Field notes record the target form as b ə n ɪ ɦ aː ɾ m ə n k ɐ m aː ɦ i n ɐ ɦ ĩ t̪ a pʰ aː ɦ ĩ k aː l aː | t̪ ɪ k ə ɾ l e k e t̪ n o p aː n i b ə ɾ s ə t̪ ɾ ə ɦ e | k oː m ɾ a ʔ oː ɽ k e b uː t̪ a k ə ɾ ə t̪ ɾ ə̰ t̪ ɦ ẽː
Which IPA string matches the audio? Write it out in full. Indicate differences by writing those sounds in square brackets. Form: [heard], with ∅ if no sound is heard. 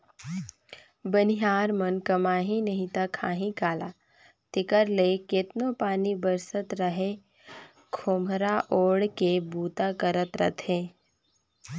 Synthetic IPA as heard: b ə n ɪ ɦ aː ɾ m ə n k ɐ m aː ɦ i n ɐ ɦ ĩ t̪ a [kʰ] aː ɦ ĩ k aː l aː | t̪ ɪ k ə ɾ l e k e t̪ n o p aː n i b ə ɾ s ə t̪ ɾ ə ɦ e | [kʰ] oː m ɾ a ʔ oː ɽ k e b uː t̪ a k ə ɾ ə t̪ ɾ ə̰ t̪ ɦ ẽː